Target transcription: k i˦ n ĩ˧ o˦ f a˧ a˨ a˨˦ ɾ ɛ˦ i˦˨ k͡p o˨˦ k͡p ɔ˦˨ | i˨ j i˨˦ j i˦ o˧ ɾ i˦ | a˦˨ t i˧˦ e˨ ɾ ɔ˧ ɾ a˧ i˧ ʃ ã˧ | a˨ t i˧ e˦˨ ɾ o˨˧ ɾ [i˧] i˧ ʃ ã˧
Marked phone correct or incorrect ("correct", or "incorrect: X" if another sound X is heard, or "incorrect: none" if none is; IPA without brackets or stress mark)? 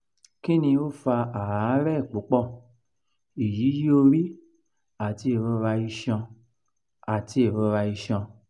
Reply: incorrect: a˧